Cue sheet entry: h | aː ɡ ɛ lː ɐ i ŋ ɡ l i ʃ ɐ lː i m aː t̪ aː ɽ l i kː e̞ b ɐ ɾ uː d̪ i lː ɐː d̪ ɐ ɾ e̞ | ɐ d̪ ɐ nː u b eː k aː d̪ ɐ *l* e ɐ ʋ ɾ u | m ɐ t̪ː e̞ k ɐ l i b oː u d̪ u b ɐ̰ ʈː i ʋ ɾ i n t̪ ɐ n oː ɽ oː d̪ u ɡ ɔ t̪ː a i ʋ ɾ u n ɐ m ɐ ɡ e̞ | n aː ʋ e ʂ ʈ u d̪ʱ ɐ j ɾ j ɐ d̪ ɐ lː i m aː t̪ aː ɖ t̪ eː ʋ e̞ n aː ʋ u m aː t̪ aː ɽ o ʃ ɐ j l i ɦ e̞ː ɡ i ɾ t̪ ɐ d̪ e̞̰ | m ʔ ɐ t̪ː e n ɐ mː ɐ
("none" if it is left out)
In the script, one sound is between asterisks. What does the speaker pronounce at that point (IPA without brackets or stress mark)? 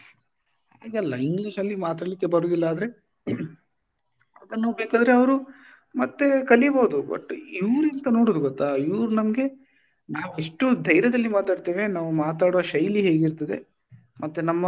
ɾ